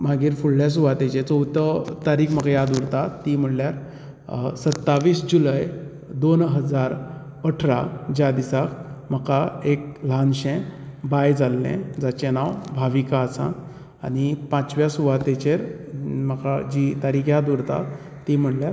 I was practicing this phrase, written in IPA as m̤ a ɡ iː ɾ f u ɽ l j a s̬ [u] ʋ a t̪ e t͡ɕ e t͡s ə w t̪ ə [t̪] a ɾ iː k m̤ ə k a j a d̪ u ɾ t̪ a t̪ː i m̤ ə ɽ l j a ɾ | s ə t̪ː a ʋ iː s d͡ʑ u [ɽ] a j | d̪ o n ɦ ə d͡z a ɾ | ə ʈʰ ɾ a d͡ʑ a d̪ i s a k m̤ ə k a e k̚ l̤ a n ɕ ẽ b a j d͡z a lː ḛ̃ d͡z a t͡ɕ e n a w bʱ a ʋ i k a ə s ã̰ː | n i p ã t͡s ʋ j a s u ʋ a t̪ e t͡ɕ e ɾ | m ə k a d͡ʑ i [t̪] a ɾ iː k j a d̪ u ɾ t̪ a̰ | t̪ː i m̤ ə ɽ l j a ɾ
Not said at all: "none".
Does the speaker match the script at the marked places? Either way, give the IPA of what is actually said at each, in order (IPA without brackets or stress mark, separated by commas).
u, t̪, l, t̪